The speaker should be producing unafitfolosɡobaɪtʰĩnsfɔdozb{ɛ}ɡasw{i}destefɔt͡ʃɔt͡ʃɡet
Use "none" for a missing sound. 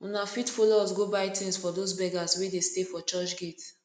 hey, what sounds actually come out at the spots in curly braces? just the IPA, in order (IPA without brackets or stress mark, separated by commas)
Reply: ɛ, e